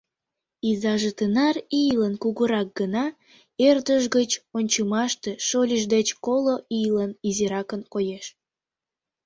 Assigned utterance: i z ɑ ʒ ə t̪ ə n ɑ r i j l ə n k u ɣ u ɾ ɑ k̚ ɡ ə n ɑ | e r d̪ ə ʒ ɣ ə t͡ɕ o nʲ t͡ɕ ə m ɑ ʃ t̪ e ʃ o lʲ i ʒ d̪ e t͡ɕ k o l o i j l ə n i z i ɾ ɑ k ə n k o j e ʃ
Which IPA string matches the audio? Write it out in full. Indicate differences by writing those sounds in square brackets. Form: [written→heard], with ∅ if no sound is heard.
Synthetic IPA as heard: i z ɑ ʒ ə t̪ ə n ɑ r i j l ə n k u ɣ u ɾ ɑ k̚ ɡ ə n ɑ | e r d̪ ə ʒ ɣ ə t͡ɕ o nʲ t͡ɕ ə m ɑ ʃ t̪ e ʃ o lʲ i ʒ d̪ e t͡ɕ k o l o i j l ə n i z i ɾ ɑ k ə n k o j e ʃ